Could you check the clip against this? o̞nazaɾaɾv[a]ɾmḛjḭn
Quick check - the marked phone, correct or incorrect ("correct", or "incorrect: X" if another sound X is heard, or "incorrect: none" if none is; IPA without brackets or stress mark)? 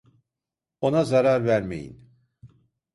incorrect: æ